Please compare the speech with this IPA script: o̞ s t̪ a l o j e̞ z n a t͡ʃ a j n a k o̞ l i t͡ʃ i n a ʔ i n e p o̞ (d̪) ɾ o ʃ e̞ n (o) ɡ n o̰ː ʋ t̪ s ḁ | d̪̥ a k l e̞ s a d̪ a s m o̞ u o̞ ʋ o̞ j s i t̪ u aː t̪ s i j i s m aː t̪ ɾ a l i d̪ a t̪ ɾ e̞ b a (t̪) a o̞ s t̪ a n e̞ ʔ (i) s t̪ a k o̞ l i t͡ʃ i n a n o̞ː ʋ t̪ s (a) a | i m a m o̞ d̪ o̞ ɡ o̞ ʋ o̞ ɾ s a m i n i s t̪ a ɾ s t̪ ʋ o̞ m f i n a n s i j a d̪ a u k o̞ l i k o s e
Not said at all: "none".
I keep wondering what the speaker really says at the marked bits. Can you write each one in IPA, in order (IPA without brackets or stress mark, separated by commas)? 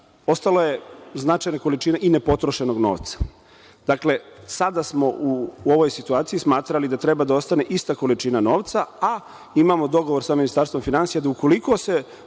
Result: t̪, o, d̪, i, a